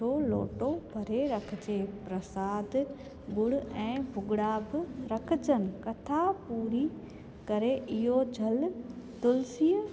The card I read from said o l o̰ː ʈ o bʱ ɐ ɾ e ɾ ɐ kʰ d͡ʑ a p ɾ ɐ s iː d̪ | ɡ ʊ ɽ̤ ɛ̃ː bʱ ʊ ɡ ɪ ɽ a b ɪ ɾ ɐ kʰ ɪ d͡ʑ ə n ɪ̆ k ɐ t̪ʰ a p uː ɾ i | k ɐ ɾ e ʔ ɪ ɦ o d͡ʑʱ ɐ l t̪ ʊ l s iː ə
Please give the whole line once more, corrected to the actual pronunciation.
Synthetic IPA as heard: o l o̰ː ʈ o bʱ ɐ ɾ e ɾ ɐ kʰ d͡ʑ e p ɾ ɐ s aː d̪ | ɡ ʊ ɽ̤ ɛ̃ː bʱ ʊ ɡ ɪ ɽ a b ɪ ɾ ɐ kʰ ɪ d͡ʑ ə n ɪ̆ k ɐ t̪ʰ a p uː ɾ i | k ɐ ɾ e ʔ ɪ ɦ o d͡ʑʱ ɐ l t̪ ʊ l s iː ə